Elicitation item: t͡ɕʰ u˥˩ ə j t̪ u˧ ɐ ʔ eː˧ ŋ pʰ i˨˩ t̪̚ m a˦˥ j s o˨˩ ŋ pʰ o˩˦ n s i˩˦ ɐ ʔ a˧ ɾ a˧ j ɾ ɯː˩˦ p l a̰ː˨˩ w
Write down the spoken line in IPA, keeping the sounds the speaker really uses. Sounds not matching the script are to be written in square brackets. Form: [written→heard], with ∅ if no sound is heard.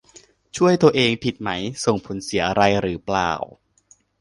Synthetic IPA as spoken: t͡ɕʰ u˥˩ ə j t̪ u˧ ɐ ʔ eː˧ ŋ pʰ i˨˩ t̪̚ m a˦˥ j s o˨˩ ŋ pʰ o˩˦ n s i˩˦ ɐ ʔ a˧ ɾ a˧ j ɾ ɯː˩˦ p l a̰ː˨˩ w